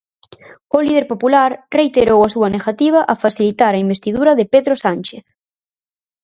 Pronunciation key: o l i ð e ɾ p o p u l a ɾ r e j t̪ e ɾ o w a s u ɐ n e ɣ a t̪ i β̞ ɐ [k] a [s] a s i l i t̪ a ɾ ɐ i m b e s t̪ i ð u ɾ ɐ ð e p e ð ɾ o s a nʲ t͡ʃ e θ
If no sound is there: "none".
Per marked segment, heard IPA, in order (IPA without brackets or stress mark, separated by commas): ʔ, f